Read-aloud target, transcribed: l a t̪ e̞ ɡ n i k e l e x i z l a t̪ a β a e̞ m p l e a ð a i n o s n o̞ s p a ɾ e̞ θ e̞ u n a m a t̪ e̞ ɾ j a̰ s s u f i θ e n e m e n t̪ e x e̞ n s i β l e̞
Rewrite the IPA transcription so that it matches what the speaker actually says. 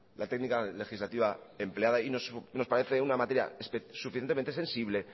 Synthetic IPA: l a t̪ e̞ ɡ n i k a l e x i z l a t̪ i β a e̞ m p l e a ð a i n o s n o̞ s p a ɾ e̞ θ e̞ u n a m a t̪ e̞ ɾ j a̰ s s u f i θ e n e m e n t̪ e e̞ n s i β l e̞